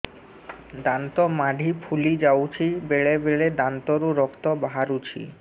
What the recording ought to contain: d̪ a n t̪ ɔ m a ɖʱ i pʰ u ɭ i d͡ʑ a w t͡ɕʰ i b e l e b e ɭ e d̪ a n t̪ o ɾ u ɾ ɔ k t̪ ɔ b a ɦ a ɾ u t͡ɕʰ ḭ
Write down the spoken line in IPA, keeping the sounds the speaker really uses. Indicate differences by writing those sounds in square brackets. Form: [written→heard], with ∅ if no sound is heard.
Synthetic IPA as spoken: d̪ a n t̪ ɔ m a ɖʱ i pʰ u [ɭ→l] i d͡ʑ a w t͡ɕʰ i b e [l→ɭ] e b e ɭ e d̪ a n t̪ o ɾ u ɾ ɔ k t̪ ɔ b a ɦ a ɾ u t͡ɕʰ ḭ